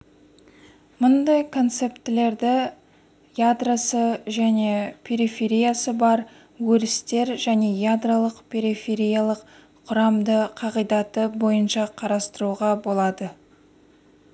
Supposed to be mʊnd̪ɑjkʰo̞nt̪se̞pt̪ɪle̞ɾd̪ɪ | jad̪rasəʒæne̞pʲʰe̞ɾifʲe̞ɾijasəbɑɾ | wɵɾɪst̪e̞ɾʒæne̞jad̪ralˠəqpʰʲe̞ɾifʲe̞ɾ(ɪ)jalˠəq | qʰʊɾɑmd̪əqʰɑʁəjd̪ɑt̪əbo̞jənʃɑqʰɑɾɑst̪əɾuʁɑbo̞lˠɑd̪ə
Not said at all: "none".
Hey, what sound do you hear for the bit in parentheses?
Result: i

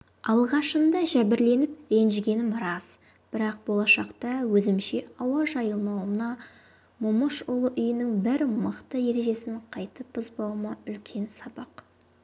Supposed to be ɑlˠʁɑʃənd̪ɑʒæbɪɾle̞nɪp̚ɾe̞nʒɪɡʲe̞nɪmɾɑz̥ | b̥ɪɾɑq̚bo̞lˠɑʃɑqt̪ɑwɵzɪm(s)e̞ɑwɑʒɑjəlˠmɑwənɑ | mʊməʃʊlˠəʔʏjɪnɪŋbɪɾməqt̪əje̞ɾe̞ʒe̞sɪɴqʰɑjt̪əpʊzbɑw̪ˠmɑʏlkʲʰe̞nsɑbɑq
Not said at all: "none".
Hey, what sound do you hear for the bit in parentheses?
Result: ʃ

